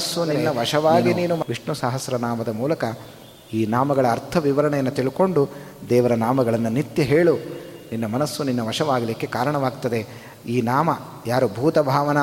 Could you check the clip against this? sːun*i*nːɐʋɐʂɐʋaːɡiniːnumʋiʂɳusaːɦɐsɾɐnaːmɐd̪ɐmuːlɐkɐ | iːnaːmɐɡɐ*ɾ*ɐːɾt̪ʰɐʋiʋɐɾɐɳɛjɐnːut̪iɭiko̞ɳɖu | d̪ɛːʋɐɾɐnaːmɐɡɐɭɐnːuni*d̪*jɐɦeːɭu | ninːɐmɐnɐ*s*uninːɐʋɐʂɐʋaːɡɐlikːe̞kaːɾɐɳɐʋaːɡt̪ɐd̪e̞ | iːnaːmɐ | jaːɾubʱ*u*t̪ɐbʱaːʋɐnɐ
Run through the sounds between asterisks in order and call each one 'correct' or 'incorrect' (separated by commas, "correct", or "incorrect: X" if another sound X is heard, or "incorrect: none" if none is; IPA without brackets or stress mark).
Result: correct, incorrect: ɭ, incorrect: t̪, incorrect: sː, incorrect: uː